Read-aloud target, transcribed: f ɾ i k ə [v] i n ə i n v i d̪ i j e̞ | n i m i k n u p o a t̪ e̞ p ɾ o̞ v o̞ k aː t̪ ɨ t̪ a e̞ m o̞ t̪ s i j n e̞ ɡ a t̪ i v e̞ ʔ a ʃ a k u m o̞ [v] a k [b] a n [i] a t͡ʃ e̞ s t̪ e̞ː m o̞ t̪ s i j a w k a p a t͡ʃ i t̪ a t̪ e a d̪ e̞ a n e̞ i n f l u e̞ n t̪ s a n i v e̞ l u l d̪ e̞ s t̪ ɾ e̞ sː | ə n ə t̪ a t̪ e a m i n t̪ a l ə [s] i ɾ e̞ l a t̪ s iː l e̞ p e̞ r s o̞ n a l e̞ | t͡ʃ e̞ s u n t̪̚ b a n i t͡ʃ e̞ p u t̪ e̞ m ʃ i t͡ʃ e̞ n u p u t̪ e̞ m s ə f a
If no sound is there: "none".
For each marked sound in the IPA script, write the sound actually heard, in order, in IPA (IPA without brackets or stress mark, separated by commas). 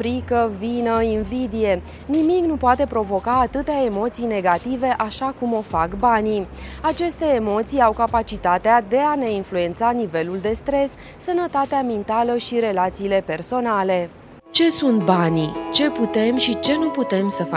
v, f, b, i, ʃ